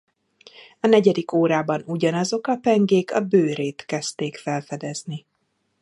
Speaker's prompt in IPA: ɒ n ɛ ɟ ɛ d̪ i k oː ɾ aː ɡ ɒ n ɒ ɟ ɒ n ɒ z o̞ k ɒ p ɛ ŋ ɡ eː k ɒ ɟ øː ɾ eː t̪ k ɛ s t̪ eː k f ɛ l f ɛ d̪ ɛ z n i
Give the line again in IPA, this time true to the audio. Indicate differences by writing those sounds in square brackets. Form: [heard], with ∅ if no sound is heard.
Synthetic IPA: ɒ n ɛ ɟ ɛ d̪ i k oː ɾ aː [b] ɒ n [u] ɟ ɒ n ɒ z o̞ k ɒ p ɛ ŋ ɡ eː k ɒ [b] øː ɾ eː t̪ k ɛ s t̪ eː k f ɛ l f ɛ d̪ ɛ z n i